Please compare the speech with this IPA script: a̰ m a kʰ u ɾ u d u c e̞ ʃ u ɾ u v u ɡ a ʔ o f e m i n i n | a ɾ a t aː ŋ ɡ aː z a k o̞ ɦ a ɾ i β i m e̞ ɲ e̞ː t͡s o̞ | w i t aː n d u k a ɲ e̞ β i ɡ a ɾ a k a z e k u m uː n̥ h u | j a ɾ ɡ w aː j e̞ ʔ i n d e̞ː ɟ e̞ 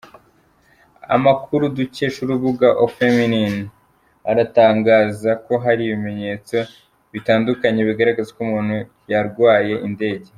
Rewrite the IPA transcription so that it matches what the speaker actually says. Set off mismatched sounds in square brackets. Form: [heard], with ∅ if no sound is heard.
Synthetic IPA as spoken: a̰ m a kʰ u ɾ u d u c e̞ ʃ u ɾ u [β] u ɡ a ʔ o f e m i n i n | a ɾ a t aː ŋ ɡ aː z a k o̞ ɦ a ɾ i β i m e̞ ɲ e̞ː t͡s o̞ | [β] i t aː n d u k a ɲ e̞ β i ɡ a ɾ a [ɡ] a z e k u m uː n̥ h u | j a ɾ ɡ w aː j e̞ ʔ i n d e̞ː ɟ e̞